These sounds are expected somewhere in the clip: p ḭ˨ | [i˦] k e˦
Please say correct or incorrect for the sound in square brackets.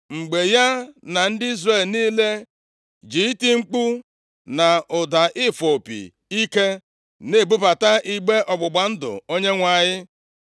correct